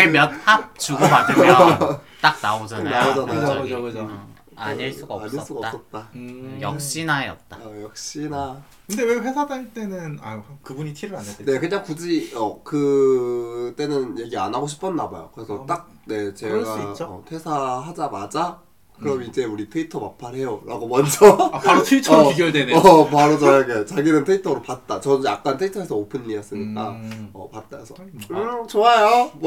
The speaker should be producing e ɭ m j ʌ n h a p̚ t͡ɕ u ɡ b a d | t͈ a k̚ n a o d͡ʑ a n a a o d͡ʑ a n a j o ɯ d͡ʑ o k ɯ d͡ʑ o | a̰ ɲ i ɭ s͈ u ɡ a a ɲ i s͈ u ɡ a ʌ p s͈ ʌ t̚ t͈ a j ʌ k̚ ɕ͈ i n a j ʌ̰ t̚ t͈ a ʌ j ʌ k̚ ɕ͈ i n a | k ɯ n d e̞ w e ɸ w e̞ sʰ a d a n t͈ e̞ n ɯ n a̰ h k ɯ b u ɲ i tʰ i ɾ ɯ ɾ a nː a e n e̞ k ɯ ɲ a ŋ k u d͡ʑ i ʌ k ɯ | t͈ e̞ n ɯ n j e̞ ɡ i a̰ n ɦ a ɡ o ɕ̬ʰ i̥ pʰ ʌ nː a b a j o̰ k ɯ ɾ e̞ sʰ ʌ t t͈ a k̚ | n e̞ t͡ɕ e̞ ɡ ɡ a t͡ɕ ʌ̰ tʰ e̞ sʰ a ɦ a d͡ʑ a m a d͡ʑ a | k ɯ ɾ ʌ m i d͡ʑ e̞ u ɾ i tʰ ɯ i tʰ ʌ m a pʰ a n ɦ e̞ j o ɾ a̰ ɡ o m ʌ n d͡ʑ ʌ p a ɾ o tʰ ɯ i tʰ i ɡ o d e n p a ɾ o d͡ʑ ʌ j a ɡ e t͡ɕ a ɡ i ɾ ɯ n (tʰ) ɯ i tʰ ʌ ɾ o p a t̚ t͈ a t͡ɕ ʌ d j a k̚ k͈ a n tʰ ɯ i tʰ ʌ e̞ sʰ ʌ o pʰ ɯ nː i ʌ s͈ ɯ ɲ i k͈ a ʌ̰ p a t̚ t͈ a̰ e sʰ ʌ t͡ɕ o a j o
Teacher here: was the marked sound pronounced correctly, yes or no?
yes